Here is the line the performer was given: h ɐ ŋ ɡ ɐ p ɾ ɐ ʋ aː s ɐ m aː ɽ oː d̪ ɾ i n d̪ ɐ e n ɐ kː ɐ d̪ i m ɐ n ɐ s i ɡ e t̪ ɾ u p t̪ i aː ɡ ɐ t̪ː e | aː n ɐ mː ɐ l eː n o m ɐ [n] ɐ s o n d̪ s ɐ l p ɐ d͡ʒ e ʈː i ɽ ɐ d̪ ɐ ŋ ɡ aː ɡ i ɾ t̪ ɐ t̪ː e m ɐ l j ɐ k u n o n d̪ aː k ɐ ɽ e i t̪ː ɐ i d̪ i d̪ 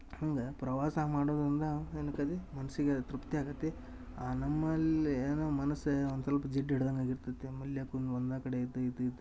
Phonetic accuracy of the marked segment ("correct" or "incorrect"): correct